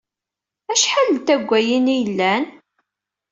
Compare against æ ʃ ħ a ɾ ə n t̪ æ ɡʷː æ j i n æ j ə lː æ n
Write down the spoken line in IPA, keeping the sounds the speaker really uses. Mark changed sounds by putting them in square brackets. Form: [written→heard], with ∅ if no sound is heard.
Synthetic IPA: æ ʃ ħ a [ɾ→l] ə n t̪ æ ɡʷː æ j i n [æ→i] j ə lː æ n

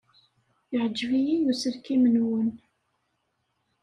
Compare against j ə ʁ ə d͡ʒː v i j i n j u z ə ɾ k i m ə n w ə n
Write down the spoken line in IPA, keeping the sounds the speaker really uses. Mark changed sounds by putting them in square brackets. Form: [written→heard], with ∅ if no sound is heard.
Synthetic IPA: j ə [ʁ→ʕ] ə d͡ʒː v i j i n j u [z→s] ə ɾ k i m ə n w ə n

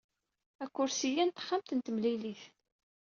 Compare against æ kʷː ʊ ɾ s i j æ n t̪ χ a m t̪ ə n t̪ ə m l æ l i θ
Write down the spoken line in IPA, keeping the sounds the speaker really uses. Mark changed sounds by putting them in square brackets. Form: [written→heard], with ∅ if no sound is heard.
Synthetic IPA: æ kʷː ʊ ɾ s i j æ n t̪ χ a m t̪ ə n t̪ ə m l [æ→i] l i θ

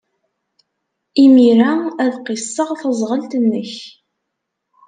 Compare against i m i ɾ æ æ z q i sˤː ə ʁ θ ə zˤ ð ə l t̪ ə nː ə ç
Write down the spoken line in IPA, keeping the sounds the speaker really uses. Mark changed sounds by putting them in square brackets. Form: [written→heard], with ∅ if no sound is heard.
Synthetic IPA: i m i ɾ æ æ [z→ð] q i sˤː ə ʁ θ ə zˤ [ð→ʁ] ə l t̪ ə nː ə ç

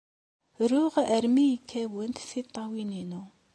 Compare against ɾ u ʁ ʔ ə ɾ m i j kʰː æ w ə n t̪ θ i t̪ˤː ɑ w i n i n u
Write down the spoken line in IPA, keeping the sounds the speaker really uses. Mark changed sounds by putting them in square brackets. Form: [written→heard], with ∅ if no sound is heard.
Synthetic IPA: ɾ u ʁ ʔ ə ɾ m i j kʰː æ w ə n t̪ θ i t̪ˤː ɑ w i n i n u

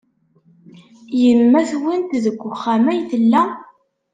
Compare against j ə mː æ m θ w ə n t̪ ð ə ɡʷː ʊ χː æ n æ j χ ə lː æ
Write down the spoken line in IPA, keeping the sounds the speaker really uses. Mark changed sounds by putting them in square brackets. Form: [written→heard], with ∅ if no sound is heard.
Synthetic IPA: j ə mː æ [m→∅] θ w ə n t̪ ð ə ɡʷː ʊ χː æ [n→m] æ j [χ→θ] ə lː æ

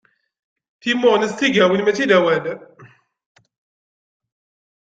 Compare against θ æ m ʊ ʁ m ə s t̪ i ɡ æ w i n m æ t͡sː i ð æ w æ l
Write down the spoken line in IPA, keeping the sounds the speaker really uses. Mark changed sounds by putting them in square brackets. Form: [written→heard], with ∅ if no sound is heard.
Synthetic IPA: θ [æ→i] m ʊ ʁ [m→n] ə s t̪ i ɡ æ w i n m æ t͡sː i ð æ w æ l

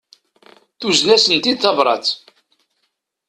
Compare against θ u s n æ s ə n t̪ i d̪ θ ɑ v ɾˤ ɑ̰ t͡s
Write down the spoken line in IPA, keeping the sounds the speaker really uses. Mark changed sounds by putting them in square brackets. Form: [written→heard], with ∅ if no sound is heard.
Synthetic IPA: θ u [s→z] n æ s ə n t̪ i d̪ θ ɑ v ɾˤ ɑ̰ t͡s

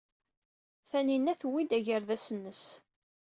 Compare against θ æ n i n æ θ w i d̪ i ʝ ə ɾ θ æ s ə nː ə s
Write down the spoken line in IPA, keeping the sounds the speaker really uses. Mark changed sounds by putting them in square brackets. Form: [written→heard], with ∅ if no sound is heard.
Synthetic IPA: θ æ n i n æ θ w i d̪ [i→æ] ʝ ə ɾ [θ→ð] æ s ə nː ə s

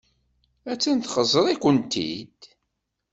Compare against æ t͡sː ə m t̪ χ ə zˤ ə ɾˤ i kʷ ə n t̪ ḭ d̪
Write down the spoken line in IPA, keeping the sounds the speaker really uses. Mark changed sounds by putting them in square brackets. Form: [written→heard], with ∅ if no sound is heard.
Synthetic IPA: æ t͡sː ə [m→n] t̪ χ ə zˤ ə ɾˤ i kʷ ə n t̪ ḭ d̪

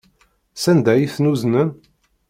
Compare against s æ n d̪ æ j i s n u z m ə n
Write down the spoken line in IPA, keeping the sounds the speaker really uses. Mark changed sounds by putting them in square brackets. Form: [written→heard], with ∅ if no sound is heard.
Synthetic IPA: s æ n d̪ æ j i [s→θ] n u z [m→n] ə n

